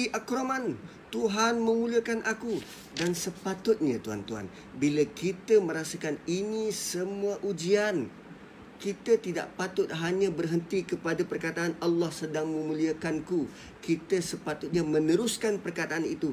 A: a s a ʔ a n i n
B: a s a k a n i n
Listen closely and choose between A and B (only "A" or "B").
B